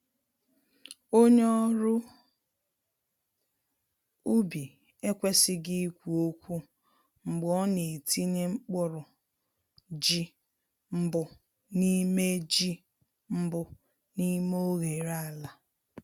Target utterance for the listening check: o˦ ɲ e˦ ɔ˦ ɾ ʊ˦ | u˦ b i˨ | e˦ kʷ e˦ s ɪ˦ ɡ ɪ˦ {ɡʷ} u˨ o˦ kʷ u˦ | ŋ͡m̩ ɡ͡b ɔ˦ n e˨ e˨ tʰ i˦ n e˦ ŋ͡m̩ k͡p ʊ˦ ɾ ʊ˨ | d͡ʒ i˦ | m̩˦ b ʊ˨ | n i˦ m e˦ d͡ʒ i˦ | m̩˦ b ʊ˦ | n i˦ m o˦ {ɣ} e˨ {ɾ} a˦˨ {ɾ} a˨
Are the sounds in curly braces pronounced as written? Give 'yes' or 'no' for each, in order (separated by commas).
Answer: no, yes, yes, no